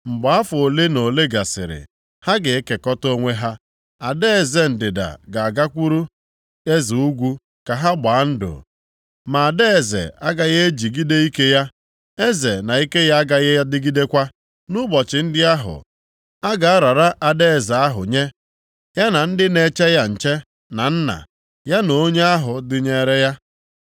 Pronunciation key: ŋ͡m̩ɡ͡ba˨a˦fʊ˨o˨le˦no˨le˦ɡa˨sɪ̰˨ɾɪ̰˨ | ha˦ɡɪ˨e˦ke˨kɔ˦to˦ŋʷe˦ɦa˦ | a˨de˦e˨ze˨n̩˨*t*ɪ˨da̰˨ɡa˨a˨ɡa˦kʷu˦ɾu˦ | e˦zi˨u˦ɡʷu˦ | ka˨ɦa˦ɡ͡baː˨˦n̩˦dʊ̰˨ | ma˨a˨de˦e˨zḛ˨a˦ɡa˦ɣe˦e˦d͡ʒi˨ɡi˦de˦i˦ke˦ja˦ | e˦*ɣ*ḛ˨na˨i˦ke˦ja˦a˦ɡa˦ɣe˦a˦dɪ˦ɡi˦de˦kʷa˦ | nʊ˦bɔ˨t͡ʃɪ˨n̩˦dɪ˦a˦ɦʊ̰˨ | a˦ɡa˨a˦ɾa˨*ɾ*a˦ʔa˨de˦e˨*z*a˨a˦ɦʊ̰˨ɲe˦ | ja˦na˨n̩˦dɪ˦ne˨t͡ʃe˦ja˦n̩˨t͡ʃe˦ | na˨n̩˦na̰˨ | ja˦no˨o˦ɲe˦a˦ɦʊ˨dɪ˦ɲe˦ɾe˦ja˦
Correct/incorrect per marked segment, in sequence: incorrect: d, incorrect: z, correct, correct

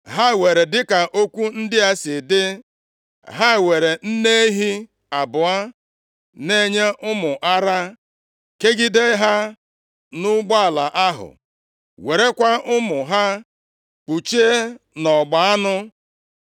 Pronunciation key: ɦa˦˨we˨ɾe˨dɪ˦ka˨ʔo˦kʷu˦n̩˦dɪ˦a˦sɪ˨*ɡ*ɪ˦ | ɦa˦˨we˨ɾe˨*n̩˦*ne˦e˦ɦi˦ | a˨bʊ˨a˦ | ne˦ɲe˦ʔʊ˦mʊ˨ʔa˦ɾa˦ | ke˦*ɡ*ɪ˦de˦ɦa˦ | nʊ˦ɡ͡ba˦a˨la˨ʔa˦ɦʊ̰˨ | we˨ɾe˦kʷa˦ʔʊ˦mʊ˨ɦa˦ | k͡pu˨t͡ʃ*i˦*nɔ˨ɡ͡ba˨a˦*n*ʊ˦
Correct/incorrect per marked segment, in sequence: incorrect: d, correct, correct, incorrect: e˦, correct

